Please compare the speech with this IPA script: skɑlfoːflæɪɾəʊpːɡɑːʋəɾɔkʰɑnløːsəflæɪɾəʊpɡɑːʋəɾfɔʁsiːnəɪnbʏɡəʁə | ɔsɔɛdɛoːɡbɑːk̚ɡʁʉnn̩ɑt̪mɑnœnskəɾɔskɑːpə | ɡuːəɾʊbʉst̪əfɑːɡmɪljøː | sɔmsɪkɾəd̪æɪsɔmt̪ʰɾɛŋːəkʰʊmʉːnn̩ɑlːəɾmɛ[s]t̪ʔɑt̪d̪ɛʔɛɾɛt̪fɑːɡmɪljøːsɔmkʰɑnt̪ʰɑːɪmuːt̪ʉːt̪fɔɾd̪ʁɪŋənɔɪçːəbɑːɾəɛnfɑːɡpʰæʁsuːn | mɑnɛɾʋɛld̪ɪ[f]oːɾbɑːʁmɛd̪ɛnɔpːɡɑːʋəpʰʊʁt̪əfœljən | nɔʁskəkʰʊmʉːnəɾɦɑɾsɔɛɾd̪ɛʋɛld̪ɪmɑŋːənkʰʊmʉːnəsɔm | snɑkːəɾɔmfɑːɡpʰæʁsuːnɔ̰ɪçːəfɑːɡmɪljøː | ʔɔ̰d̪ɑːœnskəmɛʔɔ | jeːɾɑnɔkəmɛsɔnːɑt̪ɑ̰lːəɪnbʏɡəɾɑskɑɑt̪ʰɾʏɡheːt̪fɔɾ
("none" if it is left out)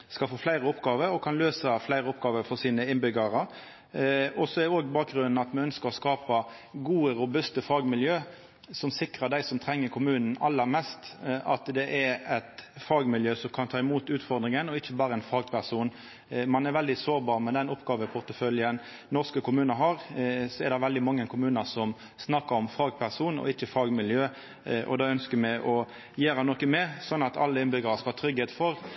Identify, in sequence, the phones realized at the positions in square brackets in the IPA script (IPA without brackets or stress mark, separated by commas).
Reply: s, s